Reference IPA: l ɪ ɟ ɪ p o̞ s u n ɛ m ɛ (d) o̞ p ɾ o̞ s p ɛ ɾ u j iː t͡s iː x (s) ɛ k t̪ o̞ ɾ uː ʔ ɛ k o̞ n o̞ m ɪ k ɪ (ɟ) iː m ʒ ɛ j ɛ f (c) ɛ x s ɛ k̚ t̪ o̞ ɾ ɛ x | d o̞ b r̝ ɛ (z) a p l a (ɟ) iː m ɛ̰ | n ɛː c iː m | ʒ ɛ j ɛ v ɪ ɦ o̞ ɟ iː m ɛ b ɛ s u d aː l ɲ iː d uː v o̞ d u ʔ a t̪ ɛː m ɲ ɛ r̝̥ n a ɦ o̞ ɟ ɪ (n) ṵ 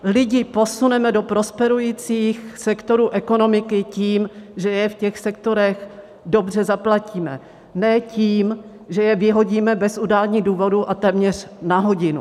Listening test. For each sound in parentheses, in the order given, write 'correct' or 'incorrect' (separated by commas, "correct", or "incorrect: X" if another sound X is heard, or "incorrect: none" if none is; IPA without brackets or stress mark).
correct, correct, incorrect: c, correct, correct, incorrect: c, correct